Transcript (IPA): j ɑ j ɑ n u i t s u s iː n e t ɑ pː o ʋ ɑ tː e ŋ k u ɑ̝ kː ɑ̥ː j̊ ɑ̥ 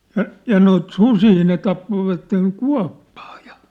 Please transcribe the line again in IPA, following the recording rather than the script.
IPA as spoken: j ɑ j ɑ n o i t s u s iː n e t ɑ pː o ʋ ɑ tː e ŋ k u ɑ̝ pː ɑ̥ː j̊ ɑ̥